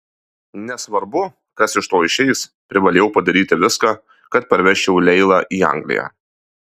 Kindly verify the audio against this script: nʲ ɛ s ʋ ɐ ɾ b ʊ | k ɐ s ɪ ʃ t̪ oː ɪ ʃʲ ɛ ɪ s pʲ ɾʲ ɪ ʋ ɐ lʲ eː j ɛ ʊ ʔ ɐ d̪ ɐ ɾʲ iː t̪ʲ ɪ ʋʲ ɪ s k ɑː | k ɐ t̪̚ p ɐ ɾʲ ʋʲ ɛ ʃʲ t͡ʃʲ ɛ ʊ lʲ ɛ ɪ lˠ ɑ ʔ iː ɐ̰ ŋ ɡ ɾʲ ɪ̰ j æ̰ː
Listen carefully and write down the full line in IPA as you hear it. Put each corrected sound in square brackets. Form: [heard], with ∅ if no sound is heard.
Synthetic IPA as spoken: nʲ ɛ s ʋ ɐ ɾ b ʊ | k ɐ s ɪ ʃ t̪ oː ɪ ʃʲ ɛ ɪ s pʲ ɾʲ ɪ ʋ ɐ lʲ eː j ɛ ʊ [p] ɐ d̪ ɐ ɾʲ iː t̪ʲ ɪ ʋʲ ɪ s k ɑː | k ɐ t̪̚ p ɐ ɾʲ ʋʲ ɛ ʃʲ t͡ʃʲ ɛ ʊ lʲ ɛ ɪ lˠ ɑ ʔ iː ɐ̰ ŋ ɡ [lʲ] ɪ̰ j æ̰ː